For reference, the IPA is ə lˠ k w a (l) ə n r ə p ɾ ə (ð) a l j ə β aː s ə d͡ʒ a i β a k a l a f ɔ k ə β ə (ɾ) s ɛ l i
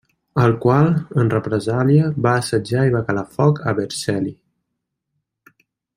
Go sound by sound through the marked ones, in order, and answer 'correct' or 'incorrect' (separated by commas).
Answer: correct, incorrect, correct